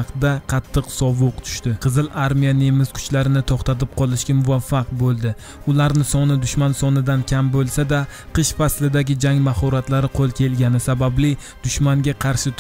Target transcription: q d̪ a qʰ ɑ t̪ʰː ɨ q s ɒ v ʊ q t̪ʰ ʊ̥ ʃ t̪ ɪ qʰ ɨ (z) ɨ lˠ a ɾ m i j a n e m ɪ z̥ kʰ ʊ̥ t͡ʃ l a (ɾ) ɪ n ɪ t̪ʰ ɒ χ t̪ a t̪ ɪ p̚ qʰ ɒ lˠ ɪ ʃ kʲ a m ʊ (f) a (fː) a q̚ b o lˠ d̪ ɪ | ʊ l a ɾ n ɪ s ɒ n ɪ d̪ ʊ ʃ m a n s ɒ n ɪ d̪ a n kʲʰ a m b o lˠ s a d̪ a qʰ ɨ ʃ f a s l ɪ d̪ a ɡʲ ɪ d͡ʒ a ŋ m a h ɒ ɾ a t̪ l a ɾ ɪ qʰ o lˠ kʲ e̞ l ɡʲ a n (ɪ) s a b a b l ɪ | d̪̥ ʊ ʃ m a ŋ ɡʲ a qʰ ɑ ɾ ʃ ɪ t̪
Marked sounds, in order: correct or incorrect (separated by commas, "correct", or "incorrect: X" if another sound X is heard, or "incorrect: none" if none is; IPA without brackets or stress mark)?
correct, correct, incorrect: v, correct, correct